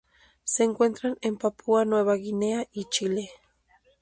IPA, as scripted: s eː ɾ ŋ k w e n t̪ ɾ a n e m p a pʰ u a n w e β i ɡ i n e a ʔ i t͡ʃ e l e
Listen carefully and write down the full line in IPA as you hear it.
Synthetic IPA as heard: s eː ŋ k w e n t̪ ɾ a n e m p a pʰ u a n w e β a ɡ i n e a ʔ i t͡ʃ i l e